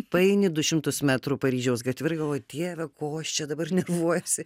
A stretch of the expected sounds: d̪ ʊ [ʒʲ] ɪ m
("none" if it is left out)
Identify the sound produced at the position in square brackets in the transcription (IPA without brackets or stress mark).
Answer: ʃʲ